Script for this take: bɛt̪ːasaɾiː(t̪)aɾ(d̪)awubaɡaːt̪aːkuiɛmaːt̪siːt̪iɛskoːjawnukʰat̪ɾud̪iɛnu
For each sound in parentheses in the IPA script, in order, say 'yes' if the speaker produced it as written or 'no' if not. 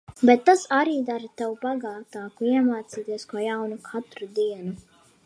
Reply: no, no

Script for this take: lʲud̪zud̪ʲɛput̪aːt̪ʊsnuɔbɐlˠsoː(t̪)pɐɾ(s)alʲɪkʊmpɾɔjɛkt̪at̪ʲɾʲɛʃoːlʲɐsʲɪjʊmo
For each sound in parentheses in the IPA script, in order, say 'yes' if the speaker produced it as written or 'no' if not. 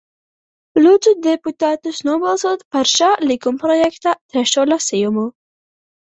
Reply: yes, no

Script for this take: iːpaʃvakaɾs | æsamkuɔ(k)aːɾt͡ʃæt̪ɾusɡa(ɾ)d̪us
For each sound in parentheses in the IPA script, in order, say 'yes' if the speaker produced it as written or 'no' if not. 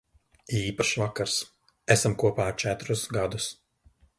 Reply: no, no

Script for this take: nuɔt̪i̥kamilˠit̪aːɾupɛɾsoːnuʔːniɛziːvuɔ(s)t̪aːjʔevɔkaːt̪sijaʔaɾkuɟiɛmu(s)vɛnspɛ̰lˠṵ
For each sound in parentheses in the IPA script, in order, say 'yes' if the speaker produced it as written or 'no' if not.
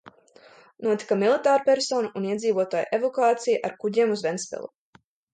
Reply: no, no

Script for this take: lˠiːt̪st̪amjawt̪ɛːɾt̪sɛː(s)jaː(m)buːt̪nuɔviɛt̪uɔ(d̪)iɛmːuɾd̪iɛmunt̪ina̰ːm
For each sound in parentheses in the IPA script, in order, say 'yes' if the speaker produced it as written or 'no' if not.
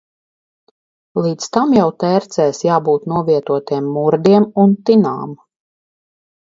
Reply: yes, no, no

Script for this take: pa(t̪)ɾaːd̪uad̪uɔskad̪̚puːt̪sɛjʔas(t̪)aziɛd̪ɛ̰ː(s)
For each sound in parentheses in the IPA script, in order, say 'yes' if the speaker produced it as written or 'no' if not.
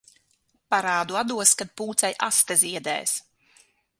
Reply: no, yes, yes

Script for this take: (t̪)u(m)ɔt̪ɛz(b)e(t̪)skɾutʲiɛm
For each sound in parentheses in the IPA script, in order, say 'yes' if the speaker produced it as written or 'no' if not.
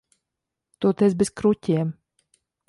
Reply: yes, no, yes, no

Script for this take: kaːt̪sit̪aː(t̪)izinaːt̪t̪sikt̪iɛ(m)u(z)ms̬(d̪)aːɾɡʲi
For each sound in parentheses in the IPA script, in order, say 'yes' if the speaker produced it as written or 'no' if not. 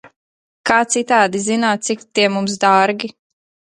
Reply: no, yes, no, yes

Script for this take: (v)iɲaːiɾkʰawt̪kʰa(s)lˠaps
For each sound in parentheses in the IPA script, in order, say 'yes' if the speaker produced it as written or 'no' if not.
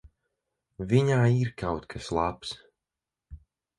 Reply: yes, yes

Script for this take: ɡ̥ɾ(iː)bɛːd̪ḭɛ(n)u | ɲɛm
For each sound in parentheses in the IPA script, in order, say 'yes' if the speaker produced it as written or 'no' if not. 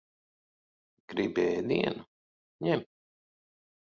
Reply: no, yes

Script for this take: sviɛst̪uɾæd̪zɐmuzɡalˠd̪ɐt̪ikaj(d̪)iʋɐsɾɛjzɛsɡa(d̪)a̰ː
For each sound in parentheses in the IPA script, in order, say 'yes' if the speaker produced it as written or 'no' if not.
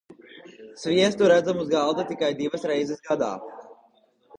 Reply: yes, yes

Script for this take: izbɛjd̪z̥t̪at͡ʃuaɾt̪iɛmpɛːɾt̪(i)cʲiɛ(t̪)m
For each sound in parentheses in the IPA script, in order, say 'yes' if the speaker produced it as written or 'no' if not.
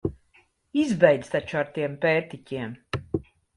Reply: yes, no

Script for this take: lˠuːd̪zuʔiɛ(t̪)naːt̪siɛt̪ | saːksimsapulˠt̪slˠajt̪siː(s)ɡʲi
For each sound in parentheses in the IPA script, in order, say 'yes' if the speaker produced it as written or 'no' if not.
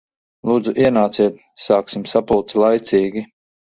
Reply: no, no

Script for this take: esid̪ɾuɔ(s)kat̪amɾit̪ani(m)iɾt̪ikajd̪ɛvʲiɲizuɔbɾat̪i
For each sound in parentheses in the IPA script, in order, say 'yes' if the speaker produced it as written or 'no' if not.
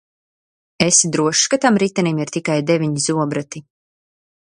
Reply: no, yes

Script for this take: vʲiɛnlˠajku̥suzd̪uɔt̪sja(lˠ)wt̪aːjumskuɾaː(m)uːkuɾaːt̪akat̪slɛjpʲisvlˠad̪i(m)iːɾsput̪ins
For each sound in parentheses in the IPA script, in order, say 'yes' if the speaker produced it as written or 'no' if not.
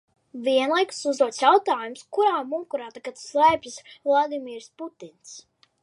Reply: no, yes, yes

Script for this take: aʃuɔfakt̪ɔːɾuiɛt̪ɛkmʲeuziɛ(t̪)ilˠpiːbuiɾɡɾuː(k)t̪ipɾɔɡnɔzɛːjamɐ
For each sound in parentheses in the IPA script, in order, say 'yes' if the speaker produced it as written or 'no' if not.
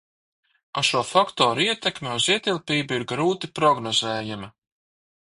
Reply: yes, no

